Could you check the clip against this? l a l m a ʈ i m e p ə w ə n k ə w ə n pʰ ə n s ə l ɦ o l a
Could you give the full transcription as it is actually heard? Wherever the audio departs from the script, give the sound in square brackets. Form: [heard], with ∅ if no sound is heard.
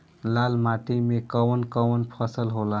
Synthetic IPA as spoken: l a l m a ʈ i m e [k] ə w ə n k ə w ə n pʰ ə [∅] s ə l ɦ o l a